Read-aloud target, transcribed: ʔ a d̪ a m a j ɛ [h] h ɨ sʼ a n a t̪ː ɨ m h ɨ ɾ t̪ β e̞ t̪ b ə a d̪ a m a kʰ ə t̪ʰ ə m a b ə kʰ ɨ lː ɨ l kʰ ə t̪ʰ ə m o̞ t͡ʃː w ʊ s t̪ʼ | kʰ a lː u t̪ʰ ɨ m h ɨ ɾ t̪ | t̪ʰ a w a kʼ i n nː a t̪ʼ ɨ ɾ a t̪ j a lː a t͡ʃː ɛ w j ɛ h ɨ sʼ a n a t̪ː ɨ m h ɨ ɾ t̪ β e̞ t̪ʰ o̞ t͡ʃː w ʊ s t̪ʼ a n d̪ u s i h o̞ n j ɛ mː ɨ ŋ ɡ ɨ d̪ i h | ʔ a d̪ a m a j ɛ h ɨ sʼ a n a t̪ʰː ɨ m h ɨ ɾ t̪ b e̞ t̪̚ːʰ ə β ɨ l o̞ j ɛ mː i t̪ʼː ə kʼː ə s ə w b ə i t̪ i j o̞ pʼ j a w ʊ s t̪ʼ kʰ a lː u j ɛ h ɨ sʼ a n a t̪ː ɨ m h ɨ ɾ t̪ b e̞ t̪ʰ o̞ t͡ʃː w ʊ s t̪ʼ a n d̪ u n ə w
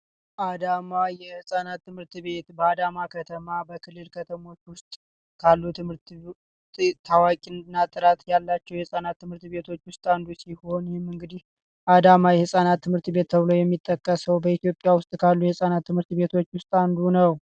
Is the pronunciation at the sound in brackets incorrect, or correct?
correct